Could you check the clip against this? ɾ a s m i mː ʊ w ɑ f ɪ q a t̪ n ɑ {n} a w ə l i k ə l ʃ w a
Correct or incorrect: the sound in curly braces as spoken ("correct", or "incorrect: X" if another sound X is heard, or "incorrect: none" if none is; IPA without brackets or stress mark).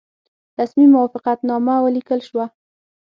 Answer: incorrect: m